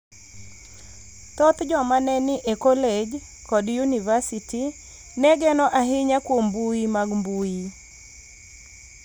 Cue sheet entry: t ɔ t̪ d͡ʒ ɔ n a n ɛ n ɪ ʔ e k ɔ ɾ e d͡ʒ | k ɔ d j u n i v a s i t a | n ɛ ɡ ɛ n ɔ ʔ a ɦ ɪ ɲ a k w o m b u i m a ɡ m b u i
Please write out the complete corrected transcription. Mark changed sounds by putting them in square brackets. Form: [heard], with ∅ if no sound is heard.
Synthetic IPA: t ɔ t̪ d͡ʒ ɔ [m] a n ɛ n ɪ ʔ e k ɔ [l] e d͡ʒ | k ɔ d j u n i v a s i t [i] | n ɛ ɡ ɛ n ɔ ʔ a ɦ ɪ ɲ a k w o m b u i m a ɡ m b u i